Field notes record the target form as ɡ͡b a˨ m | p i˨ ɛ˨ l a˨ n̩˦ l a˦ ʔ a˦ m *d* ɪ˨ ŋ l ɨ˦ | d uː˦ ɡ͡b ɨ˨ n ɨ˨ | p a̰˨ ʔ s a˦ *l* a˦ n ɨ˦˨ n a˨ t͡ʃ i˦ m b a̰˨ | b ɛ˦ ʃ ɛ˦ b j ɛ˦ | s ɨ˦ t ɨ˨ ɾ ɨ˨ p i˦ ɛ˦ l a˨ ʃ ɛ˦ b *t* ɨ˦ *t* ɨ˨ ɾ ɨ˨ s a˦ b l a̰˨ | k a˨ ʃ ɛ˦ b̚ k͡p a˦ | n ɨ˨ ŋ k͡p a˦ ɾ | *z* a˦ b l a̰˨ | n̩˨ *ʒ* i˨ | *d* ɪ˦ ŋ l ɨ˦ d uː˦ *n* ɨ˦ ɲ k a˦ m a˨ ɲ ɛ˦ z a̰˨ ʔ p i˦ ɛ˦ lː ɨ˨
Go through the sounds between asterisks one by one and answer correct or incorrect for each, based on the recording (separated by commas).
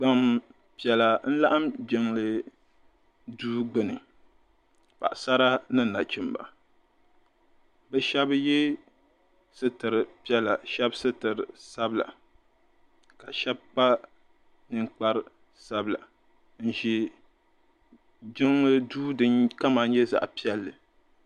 incorrect, incorrect, incorrect, correct, incorrect, correct, incorrect, incorrect